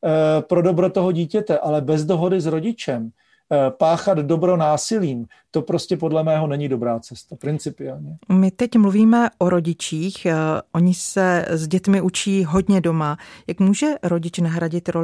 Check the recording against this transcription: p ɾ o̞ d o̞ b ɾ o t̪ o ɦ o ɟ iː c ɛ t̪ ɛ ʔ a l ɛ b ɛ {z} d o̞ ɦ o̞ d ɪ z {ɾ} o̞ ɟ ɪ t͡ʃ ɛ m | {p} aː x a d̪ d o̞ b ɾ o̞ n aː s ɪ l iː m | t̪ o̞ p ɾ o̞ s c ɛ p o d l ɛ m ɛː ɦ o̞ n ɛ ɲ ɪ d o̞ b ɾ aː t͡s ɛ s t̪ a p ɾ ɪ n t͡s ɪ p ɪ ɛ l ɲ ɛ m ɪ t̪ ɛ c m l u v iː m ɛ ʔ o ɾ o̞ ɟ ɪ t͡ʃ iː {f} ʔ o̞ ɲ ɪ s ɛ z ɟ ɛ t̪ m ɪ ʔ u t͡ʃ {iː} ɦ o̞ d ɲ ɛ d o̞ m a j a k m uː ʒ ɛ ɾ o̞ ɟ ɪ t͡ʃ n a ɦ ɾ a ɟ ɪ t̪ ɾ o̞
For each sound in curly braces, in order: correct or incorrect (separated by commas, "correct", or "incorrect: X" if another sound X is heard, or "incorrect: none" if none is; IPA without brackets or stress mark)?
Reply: correct, correct, correct, incorrect: x, correct